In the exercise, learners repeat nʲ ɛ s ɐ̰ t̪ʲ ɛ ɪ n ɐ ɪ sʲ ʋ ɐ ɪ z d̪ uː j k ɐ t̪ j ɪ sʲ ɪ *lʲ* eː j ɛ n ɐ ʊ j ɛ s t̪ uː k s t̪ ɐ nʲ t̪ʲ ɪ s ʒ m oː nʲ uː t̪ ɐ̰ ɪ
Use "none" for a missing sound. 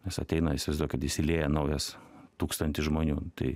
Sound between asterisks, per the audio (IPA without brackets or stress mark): lʲ